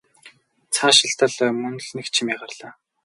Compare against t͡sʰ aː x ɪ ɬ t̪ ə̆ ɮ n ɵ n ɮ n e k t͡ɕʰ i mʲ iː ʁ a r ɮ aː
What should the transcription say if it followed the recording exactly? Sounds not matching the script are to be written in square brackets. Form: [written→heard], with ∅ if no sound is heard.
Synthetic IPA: t͡sʰ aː [x→ʃ] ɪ ɬ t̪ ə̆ ɮ [n→m] ɵ n ɮ n e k t͡ɕʰ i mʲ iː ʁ a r ɮ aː